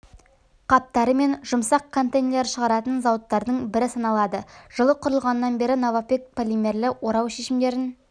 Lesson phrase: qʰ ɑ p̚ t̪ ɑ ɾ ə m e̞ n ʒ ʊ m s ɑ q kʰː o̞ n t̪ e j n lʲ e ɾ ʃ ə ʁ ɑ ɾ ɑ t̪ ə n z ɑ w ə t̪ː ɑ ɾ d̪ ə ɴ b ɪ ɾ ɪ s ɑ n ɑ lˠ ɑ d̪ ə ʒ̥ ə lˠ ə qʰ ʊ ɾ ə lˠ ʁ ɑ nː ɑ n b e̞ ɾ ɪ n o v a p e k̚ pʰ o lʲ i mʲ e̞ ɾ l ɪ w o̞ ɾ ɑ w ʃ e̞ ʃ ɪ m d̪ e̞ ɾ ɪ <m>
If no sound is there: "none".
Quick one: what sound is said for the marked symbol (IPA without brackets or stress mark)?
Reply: n